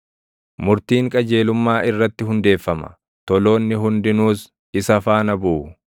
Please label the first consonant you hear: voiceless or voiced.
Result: voiced